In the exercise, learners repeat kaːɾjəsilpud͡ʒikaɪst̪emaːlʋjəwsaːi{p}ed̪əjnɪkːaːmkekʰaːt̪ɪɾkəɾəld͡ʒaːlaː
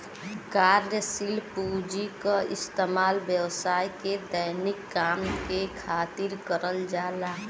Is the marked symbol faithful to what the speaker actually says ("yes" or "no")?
no